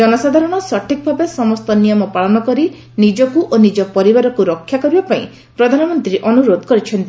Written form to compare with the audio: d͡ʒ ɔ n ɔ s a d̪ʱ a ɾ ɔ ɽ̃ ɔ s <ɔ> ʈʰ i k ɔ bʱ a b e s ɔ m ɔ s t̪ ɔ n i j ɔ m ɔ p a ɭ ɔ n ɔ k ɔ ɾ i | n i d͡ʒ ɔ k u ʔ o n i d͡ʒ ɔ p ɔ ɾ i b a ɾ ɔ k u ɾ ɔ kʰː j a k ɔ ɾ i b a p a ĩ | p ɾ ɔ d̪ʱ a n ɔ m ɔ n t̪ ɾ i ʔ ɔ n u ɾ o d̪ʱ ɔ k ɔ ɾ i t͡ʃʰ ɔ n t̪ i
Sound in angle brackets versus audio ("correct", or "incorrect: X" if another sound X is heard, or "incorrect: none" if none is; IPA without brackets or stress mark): correct